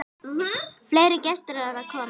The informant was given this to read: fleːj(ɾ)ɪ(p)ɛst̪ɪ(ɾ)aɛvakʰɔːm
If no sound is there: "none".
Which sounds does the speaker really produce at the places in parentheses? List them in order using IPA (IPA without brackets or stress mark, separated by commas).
ɾ, c, ɾ